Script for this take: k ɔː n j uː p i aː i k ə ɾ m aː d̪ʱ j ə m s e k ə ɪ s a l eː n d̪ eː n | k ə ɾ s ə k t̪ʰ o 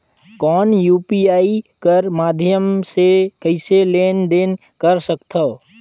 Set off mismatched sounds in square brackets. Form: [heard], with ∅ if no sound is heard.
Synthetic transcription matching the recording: k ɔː n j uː p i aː i k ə ɾ m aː d̪ʱ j ə m s e k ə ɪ s [e] l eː n d̪ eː n | k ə ɾ s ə k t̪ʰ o